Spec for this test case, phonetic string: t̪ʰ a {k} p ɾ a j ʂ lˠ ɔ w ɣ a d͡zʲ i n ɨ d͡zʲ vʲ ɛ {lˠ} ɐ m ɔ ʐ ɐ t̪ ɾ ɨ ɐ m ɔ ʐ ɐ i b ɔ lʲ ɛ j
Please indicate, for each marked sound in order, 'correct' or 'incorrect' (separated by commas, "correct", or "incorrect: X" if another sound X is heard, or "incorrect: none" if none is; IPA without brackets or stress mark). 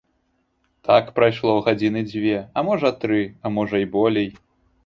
correct, incorrect: none